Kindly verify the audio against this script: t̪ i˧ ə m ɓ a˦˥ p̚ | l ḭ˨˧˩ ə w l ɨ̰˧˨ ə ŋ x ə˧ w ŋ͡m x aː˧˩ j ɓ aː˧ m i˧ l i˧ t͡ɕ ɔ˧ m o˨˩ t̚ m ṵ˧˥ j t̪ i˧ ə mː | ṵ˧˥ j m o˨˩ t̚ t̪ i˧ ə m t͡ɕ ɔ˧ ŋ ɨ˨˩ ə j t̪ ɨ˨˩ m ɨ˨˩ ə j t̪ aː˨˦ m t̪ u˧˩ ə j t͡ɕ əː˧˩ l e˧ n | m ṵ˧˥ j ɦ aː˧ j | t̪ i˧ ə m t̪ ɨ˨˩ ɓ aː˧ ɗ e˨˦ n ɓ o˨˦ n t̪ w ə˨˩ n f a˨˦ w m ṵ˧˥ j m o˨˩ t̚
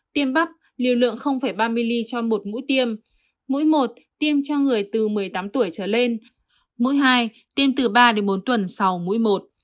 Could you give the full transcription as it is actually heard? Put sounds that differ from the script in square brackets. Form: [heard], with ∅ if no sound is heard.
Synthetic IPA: t̪ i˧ ə m ɓ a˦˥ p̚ | l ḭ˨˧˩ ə w l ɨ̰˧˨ ə ŋ x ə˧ w ŋ͡m [f] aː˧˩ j ɓ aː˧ m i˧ l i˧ t͡ɕ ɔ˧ m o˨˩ t̚ m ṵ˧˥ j t̪ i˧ ə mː | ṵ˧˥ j m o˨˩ t̚ t̪ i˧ ə m t͡ɕ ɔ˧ ŋ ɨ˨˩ ə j t̪ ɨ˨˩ m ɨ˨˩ ə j t̪ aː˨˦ m t̪ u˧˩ ə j t͡ɕ əː˧˩ l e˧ n | m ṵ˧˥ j ɦ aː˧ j | t̪ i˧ ə m t̪ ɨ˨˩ ɓ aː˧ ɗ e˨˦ n ɓ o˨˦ n t̪ w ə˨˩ n [s] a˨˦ w m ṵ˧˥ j m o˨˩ t̚